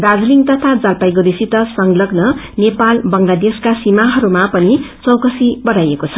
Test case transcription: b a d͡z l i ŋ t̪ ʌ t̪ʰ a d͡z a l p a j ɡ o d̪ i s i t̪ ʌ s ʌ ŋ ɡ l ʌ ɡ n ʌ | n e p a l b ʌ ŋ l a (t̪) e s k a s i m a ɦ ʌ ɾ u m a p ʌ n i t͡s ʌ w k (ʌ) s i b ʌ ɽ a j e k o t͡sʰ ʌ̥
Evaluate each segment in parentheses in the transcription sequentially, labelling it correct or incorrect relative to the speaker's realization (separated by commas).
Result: incorrect, correct